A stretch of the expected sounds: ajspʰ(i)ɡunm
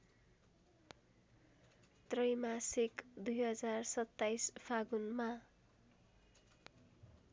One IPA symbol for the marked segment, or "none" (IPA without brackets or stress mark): a